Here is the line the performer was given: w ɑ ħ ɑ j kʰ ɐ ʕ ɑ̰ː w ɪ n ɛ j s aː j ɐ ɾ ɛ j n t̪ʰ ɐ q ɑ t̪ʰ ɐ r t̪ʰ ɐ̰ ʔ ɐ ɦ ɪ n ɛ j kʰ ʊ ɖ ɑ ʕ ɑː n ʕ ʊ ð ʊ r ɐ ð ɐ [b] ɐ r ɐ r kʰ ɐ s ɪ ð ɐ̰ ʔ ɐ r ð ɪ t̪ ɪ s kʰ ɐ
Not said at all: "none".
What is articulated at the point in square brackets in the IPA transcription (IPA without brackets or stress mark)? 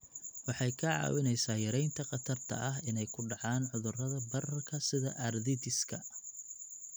b